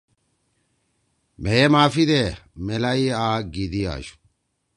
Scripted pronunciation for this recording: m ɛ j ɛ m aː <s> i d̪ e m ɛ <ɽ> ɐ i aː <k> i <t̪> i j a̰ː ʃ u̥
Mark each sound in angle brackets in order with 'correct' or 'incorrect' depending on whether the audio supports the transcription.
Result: incorrect: f, incorrect: l, incorrect: ɡ, incorrect: d̪

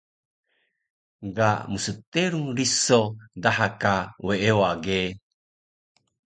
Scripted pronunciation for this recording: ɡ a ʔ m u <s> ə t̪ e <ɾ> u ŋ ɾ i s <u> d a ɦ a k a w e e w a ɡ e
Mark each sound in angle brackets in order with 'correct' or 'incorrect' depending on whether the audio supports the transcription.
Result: correct, correct, incorrect: o

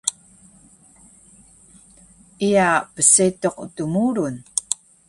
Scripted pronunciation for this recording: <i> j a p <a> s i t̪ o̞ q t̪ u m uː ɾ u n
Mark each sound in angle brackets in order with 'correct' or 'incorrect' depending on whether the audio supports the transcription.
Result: correct, incorrect: ə

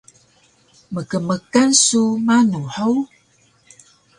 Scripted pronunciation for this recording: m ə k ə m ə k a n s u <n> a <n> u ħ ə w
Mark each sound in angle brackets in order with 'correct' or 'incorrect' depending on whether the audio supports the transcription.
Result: incorrect: m, correct

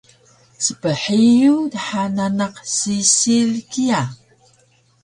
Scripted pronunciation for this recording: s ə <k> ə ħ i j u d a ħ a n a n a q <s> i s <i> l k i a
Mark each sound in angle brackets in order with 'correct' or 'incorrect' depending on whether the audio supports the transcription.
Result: incorrect: p, correct, correct

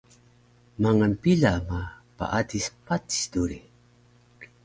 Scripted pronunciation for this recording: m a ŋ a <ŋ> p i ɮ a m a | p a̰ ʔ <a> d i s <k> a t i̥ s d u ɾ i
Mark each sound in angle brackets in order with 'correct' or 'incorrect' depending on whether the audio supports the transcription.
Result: incorrect: n, correct, incorrect: p

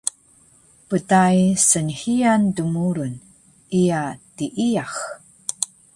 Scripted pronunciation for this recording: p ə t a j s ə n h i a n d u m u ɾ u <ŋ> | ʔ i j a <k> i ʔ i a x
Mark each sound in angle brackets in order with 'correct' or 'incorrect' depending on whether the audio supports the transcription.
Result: incorrect: n, incorrect: t

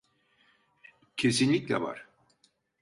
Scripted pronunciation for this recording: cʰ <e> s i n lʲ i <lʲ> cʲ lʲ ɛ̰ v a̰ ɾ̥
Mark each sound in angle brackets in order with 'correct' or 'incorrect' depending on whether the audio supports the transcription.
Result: correct, incorrect: none

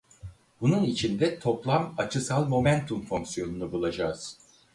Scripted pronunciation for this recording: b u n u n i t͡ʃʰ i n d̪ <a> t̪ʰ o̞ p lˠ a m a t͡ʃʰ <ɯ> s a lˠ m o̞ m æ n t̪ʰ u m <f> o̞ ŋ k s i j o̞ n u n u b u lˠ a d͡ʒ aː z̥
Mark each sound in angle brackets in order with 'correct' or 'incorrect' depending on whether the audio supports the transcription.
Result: incorrect: ɛ, correct, correct

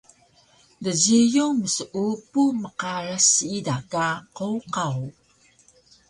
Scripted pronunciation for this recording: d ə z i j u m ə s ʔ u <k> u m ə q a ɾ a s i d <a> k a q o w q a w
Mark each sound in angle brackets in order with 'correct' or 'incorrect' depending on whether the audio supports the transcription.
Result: incorrect: p, correct

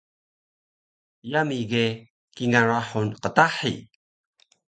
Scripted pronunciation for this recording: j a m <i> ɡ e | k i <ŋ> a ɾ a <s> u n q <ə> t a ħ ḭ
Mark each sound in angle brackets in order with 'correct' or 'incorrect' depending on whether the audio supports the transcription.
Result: correct, correct, incorrect: ħ, correct

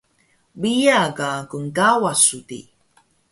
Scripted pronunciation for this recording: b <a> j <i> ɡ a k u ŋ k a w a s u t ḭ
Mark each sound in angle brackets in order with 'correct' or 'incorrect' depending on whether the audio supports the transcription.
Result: incorrect: i, incorrect: a

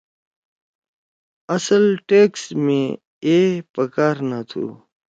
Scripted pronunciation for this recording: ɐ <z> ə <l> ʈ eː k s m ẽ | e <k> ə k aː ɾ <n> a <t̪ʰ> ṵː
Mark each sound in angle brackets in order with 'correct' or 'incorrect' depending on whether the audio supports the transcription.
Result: incorrect: s, correct, incorrect: p, correct, correct

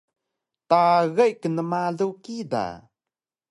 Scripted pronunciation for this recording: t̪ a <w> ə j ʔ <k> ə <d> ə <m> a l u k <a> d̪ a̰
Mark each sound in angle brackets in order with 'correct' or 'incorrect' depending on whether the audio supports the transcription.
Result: incorrect: ɣ, correct, incorrect: n, correct, incorrect: i

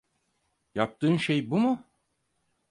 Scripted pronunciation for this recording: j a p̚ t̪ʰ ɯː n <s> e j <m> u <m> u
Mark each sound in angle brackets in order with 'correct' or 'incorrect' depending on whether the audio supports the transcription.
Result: incorrect: ʃ, incorrect: b, correct

